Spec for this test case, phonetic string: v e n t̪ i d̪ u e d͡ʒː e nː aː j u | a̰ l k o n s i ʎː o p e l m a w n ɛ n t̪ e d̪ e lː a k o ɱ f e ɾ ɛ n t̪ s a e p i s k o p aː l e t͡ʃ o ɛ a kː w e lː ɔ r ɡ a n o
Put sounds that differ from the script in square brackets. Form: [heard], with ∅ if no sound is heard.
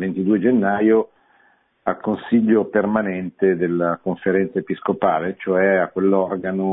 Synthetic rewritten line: v e n t̪ i d̪ u e [d͡ʒ] e nː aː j [o] | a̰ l k o n s i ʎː o p e [r] m a [∅] n ɛ n t̪ e d̪ e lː a k o ɱ f e ɾ ɛ n t̪ s a e p i s k o p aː l e t͡ʃ o ɛ a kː w e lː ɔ r ɡ a n o